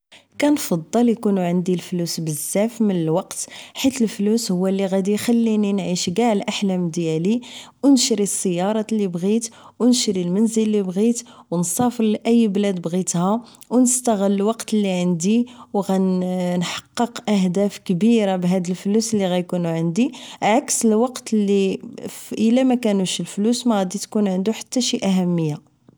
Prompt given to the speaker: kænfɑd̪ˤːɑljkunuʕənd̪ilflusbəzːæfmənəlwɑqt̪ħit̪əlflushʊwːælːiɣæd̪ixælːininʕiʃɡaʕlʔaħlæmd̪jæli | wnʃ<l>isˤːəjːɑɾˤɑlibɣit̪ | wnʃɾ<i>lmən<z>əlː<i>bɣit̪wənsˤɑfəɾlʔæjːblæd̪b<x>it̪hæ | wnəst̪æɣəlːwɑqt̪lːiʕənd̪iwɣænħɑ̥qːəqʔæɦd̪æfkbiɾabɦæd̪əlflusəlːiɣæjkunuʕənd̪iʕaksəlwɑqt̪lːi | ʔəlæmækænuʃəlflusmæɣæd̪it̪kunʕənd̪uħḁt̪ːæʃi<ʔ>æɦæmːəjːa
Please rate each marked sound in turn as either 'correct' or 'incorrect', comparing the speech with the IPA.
incorrect: ɾ, correct, correct, correct, incorrect: ɣ, correct

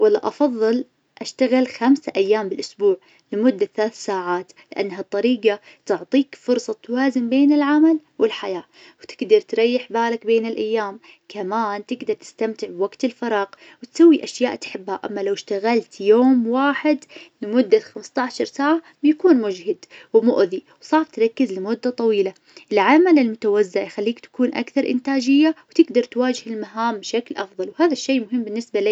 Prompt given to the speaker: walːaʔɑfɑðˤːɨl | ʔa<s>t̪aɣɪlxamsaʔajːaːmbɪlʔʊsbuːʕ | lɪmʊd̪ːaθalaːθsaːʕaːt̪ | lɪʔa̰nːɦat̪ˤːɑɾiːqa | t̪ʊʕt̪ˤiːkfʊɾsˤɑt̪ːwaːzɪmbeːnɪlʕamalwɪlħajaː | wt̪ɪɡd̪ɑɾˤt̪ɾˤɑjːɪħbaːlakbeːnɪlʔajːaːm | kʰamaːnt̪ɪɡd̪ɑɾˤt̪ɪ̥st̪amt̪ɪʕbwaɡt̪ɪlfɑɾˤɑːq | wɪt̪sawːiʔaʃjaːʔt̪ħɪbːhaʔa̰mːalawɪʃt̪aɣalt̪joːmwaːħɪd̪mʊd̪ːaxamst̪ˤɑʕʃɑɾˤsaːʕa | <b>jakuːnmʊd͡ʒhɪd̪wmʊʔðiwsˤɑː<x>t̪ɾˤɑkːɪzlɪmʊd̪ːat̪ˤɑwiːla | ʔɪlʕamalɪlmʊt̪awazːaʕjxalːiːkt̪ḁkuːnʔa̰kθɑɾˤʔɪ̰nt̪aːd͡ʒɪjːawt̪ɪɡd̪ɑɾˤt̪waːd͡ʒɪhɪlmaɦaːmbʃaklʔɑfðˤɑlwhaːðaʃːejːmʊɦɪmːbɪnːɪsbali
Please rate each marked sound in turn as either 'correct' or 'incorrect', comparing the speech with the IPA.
incorrect: ʃ, correct, incorrect: f

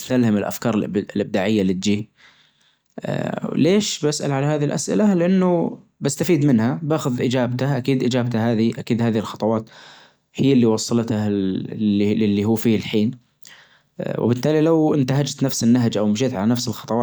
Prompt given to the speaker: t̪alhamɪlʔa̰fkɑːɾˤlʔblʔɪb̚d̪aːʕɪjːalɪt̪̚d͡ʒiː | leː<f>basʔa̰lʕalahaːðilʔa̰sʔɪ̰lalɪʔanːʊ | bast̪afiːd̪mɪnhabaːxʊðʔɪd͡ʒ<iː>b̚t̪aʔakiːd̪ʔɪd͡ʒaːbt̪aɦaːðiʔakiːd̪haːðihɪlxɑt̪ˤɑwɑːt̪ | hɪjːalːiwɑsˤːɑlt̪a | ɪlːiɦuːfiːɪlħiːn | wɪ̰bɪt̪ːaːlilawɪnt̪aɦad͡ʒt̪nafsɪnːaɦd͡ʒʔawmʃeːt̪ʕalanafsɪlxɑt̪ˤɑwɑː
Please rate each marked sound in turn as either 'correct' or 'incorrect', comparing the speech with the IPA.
incorrect: ʃ, incorrect: aː

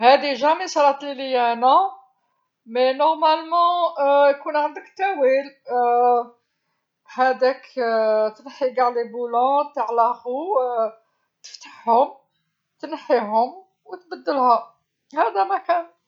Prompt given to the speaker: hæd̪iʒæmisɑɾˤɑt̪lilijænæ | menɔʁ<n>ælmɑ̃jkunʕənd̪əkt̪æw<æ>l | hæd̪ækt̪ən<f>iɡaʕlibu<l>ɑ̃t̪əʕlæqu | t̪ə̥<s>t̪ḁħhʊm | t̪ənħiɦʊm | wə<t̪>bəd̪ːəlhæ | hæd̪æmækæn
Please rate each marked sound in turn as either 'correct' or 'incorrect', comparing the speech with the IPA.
incorrect: m, incorrect: i, incorrect: ħ, correct, incorrect: f, correct

